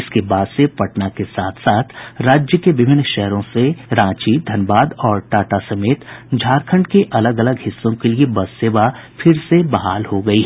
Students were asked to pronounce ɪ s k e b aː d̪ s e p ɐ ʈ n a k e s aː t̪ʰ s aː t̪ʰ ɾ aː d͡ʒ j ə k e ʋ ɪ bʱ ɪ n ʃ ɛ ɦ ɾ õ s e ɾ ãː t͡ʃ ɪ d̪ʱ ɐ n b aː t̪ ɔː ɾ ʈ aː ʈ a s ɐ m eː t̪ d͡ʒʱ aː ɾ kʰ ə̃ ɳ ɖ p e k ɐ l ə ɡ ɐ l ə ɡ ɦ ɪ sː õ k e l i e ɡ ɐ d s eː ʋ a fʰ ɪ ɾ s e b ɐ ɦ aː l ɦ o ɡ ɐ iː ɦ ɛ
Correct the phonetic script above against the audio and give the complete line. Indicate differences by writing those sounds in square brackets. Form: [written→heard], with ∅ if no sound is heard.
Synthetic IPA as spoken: ɪ s k e b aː d̪ s e p ɐ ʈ n a k e s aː t̪ʰ s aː t̪ʰ ɾ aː d͡ʒ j ə k e ʋ ɪ bʱ ɪ n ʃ ɛ ɦ ɾ õ s e ɾ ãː t͡ʃ [ɪ→i] d̪ʱ ɐ n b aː [t̪→d̪] ɔː ɾ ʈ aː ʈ a s ɐ m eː t̪ d͡ʒʱ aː ɾ kʰ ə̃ ɳ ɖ [p→k] e [k→ʔ] ɐ l ə ɡ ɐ l ə ɡ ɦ ɪ sː õ k e l i e [ɡ→b] ɐ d s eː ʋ a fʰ ɪ ɾ s e b ɐ ɦ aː l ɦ o ɡ ɐ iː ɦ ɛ